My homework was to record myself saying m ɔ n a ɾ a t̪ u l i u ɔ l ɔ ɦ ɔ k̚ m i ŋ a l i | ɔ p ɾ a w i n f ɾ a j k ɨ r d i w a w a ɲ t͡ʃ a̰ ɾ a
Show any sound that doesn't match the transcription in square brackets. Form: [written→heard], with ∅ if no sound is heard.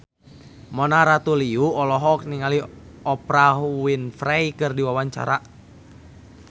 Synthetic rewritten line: m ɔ n a ɾ a t̪ u l i u ɔ l ɔ ɦ ɔ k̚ [m→n] i ŋ a l i | ɔ p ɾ a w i n f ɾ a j k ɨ r d i w a w a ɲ t͡ʃ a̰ ɾ a